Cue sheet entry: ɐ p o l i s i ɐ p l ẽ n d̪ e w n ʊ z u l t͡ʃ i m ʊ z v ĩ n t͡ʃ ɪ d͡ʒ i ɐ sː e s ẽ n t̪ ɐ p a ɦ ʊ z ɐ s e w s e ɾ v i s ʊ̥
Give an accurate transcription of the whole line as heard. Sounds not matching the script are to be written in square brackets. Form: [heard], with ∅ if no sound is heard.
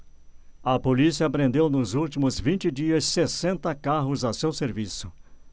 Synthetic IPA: ɐ p o l i s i ɐ p [ɾ] ẽ n d̪ e w n ʊ z u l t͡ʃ i m ʊ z v ĩ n t͡ʃ ɪ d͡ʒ i ɐ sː e s ẽ n t̪ ɐ [k] a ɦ ʊ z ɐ s e w s e ɾ v i s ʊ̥